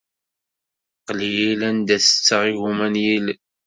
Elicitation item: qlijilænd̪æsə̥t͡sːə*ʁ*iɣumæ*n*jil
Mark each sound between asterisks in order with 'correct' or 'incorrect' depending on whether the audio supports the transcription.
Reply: correct, correct

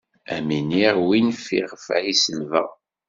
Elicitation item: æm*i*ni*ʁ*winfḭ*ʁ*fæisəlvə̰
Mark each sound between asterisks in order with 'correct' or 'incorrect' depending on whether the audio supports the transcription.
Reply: correct, correct, correct

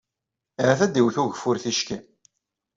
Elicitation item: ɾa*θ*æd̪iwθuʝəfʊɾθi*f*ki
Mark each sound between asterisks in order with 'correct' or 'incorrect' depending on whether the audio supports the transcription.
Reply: correct, incorrect

